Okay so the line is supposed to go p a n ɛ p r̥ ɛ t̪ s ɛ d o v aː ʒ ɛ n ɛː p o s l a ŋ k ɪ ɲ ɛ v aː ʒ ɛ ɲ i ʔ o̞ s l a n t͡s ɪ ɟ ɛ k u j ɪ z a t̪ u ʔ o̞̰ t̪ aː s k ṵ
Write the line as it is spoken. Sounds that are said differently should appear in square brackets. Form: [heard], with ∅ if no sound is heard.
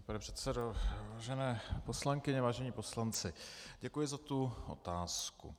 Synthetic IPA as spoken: p a n ɛ p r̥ ɛ t̪ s ɛ d o v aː ʒ ɛ n ɛː p o s l a ŋ k ɪ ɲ ɛ v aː ʒ ɛ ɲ i [p] o̞ s l a n t͡s ɪ ɟ ɛ k u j ɪ z a t̪ u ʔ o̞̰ t̪ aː s k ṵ